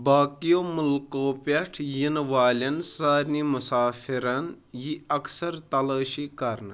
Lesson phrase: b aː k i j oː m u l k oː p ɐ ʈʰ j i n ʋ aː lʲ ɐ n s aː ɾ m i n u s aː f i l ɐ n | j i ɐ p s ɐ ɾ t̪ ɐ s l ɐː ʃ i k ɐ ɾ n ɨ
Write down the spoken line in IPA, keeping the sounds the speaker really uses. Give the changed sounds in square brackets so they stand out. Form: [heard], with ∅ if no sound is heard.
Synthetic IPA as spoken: b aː k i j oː m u l k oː p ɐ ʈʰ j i n ʋ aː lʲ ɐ n s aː ɾ [n] i [m] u s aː f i [ɾ] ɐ n | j i ɐ [k] s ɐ ɾ t̪ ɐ [∅] l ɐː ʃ i k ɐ ɾ n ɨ